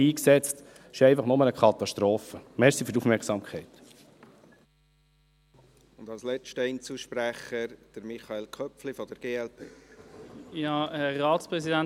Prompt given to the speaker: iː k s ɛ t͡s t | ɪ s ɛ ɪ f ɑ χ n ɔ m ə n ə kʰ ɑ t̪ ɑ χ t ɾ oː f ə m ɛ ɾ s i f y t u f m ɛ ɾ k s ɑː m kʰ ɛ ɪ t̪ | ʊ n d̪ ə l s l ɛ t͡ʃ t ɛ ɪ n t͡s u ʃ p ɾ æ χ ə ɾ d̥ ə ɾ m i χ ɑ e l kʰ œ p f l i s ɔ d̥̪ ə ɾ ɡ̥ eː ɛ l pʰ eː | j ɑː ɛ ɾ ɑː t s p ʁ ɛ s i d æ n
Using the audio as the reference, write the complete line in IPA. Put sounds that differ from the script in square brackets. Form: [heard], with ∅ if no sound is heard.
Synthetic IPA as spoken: iː k s ɛ t͡s t | ɪ [ʃ] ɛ ɪ f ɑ χ n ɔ m ə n ə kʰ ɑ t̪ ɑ [ʃ] t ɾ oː f ə m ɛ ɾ s i f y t u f m ɛ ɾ k s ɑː m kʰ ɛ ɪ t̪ | ʊ n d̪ [ɑ] l s l ɛ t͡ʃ t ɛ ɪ n t͡s u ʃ p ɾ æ χ ə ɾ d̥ ə ɾ m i χ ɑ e l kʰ œ p f l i [f] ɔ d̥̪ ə ɾ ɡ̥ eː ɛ l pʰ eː | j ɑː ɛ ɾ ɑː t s p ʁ ɛ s i d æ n